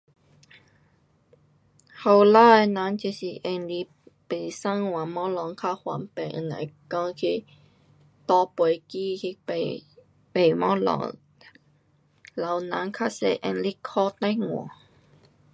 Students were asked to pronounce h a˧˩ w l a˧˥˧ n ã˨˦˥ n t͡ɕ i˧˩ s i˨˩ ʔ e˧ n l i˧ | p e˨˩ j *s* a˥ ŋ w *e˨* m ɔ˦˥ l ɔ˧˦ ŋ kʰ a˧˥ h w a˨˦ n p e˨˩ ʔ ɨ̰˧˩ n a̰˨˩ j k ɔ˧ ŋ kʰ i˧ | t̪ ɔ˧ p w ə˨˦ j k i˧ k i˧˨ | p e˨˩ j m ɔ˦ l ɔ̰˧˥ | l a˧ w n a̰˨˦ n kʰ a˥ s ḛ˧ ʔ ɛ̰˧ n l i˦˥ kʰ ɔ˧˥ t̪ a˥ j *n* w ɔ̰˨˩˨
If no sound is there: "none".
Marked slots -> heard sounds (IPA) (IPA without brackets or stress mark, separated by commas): s, a˨, ŋ